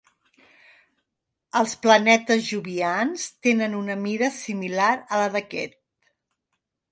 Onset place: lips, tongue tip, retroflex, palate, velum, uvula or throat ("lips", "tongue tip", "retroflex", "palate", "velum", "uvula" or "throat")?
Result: tongue tip